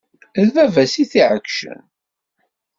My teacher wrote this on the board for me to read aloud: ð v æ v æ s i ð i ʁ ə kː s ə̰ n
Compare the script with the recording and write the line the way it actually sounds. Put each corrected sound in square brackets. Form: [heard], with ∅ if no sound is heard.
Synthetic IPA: ð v æ v æ s i [θ] i [ʕ] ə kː [ʃ] ə̰ n